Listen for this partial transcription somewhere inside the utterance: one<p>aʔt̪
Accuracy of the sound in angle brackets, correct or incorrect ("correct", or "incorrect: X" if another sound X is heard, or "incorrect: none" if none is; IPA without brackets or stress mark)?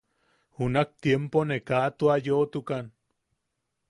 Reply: incorrect: k